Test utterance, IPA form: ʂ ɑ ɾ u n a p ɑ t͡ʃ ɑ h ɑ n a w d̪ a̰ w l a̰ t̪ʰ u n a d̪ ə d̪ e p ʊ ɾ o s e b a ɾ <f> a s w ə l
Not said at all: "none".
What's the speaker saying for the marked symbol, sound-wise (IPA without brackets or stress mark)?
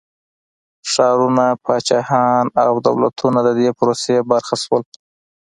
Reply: x